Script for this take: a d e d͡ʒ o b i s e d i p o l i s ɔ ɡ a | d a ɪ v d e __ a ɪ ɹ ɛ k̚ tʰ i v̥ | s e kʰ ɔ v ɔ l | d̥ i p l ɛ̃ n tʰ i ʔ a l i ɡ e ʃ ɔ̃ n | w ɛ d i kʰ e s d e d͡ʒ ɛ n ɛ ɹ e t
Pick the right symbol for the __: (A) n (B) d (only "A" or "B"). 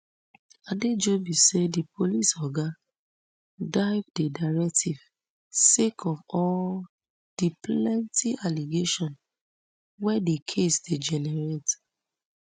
B